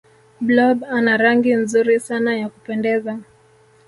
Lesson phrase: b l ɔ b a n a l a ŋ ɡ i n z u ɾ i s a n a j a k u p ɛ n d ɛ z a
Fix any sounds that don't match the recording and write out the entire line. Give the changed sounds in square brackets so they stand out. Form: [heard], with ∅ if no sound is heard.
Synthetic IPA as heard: b l ɔ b a n a [ɾ] a ŋ ɡ i n z u ɾ i s a n a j a k u p ɛ n d ɛ z a